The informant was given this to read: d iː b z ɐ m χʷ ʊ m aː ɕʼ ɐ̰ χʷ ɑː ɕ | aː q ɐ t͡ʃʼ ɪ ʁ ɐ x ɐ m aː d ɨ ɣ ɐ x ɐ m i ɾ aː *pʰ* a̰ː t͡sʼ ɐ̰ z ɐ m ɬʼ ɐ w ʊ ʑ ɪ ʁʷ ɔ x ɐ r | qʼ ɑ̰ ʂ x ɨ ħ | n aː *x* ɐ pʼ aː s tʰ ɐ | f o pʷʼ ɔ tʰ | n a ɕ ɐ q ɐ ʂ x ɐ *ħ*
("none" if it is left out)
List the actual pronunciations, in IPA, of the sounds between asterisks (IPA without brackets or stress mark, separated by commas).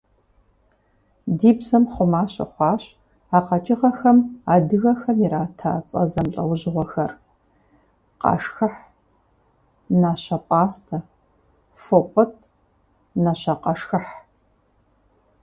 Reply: tʰ, ɕ, ħ